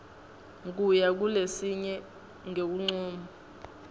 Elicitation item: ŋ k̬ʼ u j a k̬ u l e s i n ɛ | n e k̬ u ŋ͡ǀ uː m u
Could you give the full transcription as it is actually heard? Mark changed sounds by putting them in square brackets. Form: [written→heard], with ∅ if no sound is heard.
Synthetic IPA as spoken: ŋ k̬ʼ u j a k̬ u l e s i [n→ɲ] ɛ | [n→ŋ] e k̬ u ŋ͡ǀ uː m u